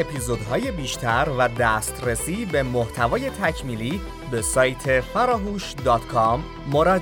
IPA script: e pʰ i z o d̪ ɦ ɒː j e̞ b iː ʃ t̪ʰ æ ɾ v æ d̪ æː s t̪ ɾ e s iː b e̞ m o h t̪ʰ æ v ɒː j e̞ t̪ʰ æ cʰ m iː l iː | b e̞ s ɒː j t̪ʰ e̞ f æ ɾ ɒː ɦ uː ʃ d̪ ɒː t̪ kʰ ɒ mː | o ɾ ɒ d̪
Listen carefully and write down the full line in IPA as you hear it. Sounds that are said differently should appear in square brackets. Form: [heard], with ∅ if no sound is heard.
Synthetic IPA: e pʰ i z o d̪ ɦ ɒː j e̞ b iː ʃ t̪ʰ æ ɾ v æ d̪ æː s t̪ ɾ e s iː b e̞ m o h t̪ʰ æ v ɒː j e̞ t̪ʰ æ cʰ m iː l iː | b e̞ s ɒː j t̪ʰ e̞ f æ ɾ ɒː ɦ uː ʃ d̪ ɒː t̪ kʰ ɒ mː | o ɾ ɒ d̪